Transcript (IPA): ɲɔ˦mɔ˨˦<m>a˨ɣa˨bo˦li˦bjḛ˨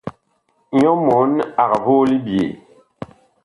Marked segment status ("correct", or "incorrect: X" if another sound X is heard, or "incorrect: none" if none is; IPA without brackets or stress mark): incorrect: n